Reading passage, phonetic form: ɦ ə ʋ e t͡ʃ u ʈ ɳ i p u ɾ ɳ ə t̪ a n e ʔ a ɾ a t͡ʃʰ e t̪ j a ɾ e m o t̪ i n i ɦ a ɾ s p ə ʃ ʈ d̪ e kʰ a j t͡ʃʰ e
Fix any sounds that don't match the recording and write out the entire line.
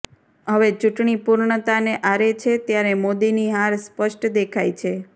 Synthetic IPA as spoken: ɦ ə ʋ e t͡ʃ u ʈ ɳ i p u ɾ ɳ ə t̪ a n e ʔ a ɾ e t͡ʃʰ e t̪ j a ɾ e m o d̪ i n i ɦ a ɾ s p ə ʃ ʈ d̪ e kʰ a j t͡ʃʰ e